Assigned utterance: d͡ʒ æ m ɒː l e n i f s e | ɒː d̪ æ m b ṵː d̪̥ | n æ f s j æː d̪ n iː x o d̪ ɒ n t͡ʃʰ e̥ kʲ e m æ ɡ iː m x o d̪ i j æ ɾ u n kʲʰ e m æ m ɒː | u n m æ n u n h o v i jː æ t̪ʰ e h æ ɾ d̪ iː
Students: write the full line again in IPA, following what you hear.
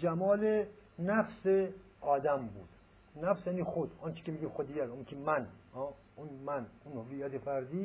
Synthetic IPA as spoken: d͡ʒ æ m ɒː l e n æ f s e | ɒː d̪ æ m b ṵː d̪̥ | n æ f s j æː n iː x o d̪ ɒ n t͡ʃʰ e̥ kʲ e m i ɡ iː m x o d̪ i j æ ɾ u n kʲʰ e m æ n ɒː | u n m æ n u n h o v i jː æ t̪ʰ e f æ ɾ d̪ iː